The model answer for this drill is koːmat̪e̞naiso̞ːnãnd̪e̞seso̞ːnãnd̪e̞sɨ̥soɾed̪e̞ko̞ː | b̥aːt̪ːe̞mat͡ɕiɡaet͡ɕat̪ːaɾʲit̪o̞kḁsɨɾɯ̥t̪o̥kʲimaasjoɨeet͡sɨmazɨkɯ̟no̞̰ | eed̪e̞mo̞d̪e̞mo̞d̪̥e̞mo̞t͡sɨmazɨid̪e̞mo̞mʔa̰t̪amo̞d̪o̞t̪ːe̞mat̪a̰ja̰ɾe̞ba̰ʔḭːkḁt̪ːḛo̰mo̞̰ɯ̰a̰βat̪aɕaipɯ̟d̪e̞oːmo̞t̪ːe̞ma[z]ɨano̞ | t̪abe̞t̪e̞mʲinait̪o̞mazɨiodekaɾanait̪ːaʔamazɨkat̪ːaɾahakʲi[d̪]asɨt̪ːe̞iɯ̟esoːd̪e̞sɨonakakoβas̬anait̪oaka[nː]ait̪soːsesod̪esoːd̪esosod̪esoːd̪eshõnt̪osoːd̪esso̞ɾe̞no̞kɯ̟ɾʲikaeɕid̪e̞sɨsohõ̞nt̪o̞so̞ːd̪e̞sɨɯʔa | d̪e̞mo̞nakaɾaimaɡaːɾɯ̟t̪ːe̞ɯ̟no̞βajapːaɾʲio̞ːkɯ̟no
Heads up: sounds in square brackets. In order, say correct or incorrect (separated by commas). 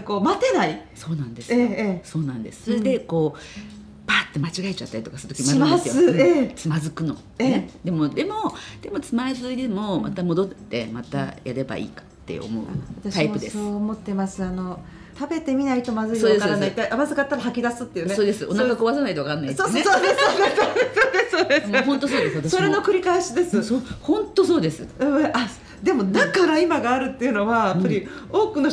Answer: incorrect, correct, correct